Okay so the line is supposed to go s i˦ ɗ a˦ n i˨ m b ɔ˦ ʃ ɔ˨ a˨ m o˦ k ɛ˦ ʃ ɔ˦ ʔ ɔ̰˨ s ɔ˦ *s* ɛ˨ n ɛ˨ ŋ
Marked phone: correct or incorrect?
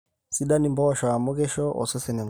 correct